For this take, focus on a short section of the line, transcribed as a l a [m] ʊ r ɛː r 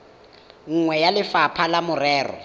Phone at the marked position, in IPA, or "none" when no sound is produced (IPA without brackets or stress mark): m